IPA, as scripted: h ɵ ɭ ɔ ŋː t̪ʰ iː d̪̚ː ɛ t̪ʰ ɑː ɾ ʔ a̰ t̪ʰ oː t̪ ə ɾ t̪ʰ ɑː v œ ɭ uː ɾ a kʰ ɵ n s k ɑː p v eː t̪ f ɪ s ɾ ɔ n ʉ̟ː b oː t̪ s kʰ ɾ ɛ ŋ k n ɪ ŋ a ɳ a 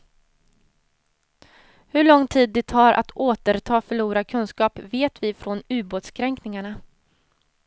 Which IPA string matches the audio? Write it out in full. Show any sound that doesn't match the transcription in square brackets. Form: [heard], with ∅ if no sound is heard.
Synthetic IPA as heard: h ɵ ɭ ɔ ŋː t̪ʰ iː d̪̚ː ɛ t̪ʰ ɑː ɾ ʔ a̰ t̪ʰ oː t̪ ə ɾ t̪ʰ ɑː [f] œ ɭ uː ɾ a kʰ ɵ n s k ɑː p v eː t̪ [v] ɪ [f] ɾ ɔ n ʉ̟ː b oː t̪ s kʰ ɾ ɛ ŋ k n ɪ ŋ a ɳ a